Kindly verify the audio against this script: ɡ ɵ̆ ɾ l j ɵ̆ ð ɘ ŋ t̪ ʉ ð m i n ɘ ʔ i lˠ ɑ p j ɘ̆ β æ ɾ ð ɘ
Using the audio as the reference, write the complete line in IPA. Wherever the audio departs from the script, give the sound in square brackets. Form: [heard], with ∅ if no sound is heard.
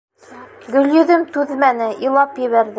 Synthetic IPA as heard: ɡ ɵ̆ [∅] l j ɵ̆ ð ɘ [m] t̪ ʉ ð m [æ] n ɘ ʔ i lˠ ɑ p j ɘ̆ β æ ɾ ð ɘ